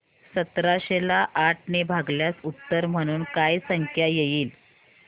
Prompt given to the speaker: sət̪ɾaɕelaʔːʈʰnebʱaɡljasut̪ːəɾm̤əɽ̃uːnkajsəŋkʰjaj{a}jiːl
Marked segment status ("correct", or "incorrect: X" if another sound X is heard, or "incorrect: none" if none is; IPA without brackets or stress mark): incorrect: e